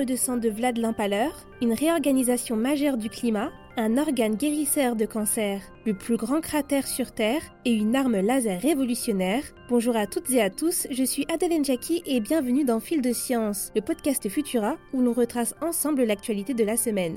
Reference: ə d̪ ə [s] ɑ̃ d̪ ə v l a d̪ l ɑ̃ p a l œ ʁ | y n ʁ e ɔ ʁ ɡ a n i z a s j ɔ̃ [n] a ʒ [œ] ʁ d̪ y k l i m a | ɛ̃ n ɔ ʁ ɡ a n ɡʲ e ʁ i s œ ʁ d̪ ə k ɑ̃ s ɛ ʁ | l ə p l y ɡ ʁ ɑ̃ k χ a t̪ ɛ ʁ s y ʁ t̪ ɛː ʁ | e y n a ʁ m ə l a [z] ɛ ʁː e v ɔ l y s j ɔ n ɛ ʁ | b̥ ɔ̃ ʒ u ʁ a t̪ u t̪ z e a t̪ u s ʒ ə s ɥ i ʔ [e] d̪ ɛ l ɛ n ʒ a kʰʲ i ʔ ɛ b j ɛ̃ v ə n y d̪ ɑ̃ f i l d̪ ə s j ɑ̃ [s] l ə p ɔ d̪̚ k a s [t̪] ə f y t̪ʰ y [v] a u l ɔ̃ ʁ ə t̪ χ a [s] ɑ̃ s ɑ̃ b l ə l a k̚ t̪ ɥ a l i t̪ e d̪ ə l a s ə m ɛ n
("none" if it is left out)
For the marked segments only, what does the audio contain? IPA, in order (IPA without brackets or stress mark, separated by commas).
s, m, œ, z, a, s, t̪, ʁ, s